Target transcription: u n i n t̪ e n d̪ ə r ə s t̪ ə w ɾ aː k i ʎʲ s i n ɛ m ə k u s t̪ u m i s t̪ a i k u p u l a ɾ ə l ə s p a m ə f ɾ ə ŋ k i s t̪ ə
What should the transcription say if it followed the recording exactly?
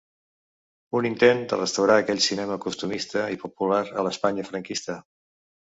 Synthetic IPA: u n i n t̪ e n d̪ ə r ə s t̪ ə w ɾ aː k ɛ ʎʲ s i n ɛ m ə k u s t̪ u m i s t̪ ə i p u p u l a ɾ ə l ə s p a ɲ ə f ɾ ə ŋ k i s t̪ ə